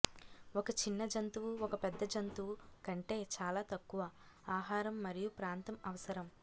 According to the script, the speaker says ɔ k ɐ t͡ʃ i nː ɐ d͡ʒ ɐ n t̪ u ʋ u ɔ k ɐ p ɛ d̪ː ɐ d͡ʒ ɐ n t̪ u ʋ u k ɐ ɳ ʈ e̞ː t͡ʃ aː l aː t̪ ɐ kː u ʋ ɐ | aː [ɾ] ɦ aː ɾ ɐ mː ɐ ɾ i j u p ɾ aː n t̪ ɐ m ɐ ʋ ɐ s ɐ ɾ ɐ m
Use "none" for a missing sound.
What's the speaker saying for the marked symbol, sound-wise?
none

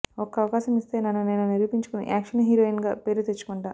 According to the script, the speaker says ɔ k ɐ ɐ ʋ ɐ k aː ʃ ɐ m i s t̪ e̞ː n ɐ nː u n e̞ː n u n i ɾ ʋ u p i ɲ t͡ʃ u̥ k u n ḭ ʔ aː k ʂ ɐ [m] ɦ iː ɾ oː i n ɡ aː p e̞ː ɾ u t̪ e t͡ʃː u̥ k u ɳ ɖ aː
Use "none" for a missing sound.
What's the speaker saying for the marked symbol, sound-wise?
n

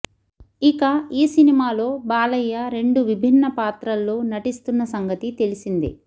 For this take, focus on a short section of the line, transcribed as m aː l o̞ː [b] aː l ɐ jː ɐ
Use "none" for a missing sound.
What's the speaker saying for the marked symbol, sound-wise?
b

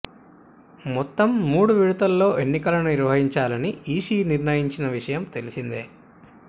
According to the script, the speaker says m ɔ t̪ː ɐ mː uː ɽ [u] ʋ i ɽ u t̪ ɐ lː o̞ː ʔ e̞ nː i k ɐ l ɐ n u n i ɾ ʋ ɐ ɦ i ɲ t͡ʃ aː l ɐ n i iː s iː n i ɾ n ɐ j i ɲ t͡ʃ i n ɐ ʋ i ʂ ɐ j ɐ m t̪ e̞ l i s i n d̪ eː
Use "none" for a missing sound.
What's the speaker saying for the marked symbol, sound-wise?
u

